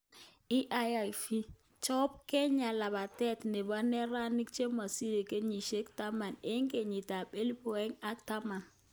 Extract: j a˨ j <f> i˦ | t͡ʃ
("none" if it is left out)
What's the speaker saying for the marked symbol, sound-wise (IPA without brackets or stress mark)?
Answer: f